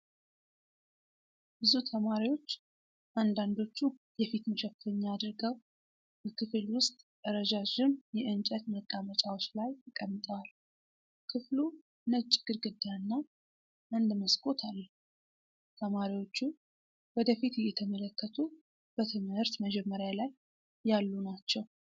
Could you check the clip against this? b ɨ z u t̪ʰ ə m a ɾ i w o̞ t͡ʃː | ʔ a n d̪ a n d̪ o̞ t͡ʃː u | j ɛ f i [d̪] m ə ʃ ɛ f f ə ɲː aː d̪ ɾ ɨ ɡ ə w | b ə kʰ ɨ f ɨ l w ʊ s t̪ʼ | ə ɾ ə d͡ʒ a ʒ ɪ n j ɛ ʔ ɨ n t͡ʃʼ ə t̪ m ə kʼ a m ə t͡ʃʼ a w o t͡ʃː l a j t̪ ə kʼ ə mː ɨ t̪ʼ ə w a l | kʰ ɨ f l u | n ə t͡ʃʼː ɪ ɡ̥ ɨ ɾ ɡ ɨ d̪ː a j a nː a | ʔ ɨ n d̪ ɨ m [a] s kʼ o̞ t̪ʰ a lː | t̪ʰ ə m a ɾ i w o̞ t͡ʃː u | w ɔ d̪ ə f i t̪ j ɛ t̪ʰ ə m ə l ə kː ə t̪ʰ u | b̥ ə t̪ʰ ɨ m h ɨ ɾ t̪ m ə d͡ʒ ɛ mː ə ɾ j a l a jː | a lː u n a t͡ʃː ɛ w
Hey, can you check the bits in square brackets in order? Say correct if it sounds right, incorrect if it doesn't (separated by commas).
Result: incorrect, incorrect